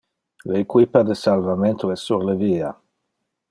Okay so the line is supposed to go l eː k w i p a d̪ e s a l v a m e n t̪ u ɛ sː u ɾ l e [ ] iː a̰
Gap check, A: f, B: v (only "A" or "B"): B